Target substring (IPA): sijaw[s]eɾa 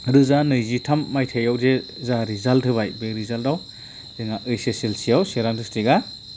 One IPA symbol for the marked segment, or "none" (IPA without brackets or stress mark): s